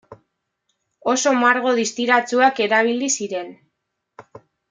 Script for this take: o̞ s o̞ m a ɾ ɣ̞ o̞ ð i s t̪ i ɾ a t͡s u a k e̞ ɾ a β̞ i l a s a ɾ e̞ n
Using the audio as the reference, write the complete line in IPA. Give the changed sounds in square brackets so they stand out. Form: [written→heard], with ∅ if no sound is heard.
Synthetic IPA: o̞ s o̞ m a ɾ ɣ̞ o̞ ð i s t̪ i ɾ a t͡s u a k e̞ ɾ a β̞ i l [a→i] s [a→i] ɾ e̞ n